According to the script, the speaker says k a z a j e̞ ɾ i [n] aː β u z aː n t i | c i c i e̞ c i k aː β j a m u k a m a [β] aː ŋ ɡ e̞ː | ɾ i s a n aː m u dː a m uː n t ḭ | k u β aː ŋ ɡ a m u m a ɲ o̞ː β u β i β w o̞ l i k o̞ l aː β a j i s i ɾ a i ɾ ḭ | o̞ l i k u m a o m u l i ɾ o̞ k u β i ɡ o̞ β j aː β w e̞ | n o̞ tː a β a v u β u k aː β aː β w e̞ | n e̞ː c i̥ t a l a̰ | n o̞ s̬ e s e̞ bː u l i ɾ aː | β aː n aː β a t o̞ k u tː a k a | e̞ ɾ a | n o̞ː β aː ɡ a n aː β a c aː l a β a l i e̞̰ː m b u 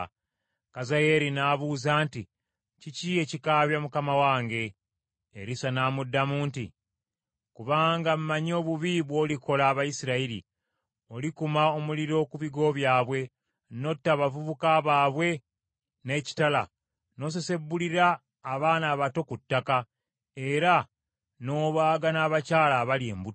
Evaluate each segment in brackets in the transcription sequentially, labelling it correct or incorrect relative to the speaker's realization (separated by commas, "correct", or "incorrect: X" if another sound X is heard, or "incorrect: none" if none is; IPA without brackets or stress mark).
correct, incorrect: w